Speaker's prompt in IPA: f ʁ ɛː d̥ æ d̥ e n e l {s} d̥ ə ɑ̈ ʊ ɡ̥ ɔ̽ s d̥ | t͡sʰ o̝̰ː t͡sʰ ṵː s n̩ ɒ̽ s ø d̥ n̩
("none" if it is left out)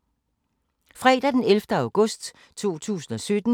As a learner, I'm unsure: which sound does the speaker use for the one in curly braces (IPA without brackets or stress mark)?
f